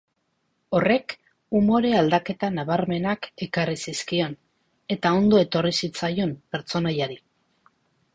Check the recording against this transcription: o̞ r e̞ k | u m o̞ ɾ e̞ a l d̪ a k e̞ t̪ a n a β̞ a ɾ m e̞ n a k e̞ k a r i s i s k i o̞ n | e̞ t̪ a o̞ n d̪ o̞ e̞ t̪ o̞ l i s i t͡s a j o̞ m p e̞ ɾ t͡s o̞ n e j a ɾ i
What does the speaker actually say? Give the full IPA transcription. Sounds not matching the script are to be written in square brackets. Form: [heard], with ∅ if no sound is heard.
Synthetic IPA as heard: o̞ r e̞ k | u m o̞ ɾ e̞ a l d̪ a k e̞ t̪ a n a β̞ a ɾ m e̞ n a k e̞ k a r i s i s k i o̞ n | e̞ t̪ a o̞ n d̪ o̞ e̞ t̪ o̞ [r] i s i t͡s a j o̞ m p e̞ ɾ t͡s o̞ n [a] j a ɾ i